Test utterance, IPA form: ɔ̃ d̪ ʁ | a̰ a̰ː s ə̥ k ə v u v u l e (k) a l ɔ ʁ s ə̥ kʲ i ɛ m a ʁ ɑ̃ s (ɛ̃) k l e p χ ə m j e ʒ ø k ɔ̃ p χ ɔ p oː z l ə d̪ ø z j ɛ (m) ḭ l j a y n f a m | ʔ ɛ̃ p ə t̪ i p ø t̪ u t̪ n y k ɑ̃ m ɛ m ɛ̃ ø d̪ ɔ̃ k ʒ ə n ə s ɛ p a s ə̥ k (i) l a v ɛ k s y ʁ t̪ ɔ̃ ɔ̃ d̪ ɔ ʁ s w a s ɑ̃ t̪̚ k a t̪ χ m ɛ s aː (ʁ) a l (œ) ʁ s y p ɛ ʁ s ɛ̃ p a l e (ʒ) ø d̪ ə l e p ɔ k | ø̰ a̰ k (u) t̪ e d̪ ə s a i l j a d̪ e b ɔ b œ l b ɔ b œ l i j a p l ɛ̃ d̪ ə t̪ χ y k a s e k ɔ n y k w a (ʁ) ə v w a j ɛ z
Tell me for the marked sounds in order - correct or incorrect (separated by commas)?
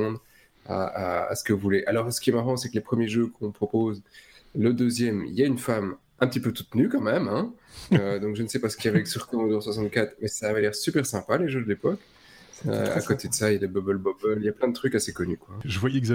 incorrect, incorrect, correct, correct, incorrect, incorrect, correct, incorrect, incorrect